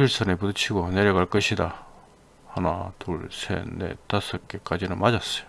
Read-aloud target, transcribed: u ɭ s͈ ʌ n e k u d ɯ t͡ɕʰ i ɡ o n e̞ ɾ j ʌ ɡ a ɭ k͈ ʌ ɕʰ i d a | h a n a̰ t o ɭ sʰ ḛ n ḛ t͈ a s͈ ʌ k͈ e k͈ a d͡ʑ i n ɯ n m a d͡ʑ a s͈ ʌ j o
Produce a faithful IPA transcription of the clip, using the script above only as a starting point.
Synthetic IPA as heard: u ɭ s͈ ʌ n e p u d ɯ t͡ɕʰ i ɡ o n e̞ ɾ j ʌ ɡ a ɭ k͈ ʌ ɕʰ i d a | h a n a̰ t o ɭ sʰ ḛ n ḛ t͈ a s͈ ʌ k͈ e k͈ a d͡ʑ i n ɯ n m a d͡ʑ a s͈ ʌ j o